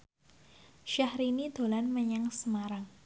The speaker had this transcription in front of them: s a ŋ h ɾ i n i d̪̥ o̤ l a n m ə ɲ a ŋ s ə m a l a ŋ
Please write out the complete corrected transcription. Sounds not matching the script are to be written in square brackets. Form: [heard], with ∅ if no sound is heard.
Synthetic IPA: [ʃ] a [∅] h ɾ i n i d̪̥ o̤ l a n m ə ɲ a ŋ s ə m a [ɾ] a ŋ

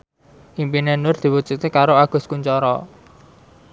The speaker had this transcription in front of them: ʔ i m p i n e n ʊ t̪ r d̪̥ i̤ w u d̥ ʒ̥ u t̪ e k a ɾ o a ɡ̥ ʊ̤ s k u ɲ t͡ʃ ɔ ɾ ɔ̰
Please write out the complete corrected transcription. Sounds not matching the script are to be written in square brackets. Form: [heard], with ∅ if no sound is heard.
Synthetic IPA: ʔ i m p i n e n ʊ [∅] r d̪̥ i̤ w u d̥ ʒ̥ u t̪ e k a ɾ o a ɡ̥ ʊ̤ s k u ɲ t͡ʃ ɔ ɾ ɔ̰

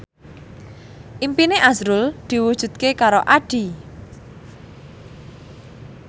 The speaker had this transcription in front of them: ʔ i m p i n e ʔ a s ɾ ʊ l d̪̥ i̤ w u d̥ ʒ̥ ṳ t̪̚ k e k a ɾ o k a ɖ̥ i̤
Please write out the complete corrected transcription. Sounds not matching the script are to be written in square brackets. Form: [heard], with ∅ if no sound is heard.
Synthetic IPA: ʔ i m p i n e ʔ a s ɾ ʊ l d̪̥ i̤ w u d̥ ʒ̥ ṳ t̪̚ k e k a ɾ o [ʔ] a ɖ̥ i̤

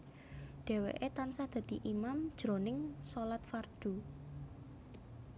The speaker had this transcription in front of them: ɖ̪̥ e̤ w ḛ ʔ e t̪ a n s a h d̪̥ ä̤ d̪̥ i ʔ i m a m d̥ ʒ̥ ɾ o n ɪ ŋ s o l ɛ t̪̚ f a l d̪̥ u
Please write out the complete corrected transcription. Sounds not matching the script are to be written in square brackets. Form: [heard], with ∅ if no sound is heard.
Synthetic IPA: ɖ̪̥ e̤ w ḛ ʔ e t̪ a n s a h d̪̥ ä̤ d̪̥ i ʔ i m a m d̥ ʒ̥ ɾ o n ɪ ŋ s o l [a] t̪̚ f a [r] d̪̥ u

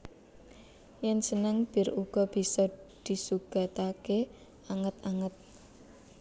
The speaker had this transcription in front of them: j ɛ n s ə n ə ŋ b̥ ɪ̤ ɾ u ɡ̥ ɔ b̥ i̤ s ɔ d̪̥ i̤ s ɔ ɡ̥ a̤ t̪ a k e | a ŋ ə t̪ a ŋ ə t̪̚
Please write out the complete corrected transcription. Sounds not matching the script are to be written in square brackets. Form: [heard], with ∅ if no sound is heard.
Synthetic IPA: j ɛ n s ə n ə ŋ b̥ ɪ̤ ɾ u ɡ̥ ɔ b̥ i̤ s ɔ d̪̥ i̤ s [u] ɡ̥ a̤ t̪ a k e | a ŋ ə t̪ a ŋ ə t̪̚

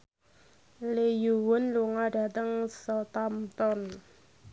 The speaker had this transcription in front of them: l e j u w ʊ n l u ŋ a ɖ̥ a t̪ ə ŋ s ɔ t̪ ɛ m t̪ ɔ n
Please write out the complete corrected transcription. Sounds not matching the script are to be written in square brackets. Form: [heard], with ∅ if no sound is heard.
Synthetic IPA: l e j u w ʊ n l u ŋ a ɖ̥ a t̪ ə ŋ s ɔ t̪ [a] m t̪ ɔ n

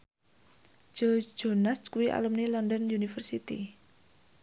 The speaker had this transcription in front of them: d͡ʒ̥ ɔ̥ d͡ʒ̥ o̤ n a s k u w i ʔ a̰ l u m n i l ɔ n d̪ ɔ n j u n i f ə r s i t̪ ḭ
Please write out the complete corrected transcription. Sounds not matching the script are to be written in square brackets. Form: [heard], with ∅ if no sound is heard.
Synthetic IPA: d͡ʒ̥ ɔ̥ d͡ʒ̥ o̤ n a s k u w i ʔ a̰ l u m n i l ɔ n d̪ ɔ n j u n i f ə r s i t̪ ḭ

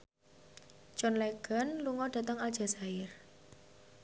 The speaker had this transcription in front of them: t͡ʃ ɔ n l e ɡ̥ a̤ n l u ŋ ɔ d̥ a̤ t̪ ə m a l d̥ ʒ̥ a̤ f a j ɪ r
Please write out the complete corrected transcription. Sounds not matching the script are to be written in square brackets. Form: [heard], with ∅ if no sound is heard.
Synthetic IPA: t͡ʃ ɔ n l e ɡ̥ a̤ n l u ŋ ɔ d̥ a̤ t̪ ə [ŋ] a l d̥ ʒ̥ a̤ [s] a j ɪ r

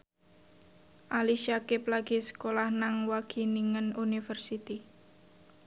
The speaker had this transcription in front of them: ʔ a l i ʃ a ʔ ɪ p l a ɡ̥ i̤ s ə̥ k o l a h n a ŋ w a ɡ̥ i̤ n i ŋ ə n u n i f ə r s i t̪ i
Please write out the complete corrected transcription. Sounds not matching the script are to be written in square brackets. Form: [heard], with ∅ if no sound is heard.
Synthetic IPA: ʔ a l i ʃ a [k] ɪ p l a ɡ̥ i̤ s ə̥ k o l a h n a ŋ w a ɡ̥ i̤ n i ŋ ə n u n i f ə r s i t̪ i

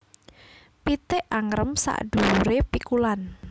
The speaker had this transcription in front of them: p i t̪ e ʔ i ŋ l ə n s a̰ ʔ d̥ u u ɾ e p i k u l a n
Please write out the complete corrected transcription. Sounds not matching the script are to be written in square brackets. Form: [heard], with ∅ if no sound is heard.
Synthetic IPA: p i t̪ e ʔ [a] ŋ [ɾ] ə [m] s a̰ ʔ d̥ u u ɾ e p i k u l a n

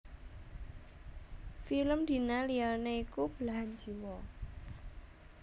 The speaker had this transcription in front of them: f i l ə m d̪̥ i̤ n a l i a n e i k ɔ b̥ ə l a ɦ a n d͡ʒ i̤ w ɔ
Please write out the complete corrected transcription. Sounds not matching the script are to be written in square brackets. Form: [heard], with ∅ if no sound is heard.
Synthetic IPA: f i l ə m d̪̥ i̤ n a l i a n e i k [u] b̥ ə l a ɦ a n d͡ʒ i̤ w ɔ

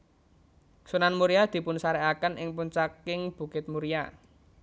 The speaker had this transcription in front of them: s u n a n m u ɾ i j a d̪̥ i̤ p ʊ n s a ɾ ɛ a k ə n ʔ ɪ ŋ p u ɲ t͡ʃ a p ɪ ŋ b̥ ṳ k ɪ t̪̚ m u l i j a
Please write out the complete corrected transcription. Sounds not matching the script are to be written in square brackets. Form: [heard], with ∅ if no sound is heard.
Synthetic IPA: s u n a n m u ɾ i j a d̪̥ i̤ p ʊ n s a ɾ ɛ a k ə n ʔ ɪ ŋ p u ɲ t͡ʃ a [k] ɪ ŋ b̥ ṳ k ɪ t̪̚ m u [ɾ] i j a

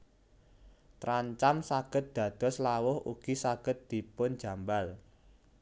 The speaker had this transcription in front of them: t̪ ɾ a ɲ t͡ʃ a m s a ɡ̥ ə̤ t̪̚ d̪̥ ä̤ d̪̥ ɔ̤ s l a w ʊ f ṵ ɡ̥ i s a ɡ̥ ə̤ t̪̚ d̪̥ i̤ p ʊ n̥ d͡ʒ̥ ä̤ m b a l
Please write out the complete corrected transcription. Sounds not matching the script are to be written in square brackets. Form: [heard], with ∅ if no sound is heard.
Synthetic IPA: t̪ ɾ a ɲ t͡ʃ a m s a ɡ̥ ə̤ t̪̚ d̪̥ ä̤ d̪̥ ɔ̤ s l a w ʊ [h] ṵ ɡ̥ i s a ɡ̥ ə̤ t̪̚ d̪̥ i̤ p ʊ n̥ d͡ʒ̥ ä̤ m b a l

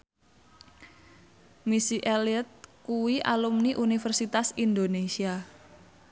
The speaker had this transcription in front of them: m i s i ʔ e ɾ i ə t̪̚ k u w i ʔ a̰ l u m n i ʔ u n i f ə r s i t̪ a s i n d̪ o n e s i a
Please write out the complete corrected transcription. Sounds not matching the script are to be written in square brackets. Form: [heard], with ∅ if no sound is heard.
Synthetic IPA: m i s i ʔ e [l] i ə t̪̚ k u w i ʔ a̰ l u m n i ʔ u n i f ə r s i t̪ a s i n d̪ o n e s i a

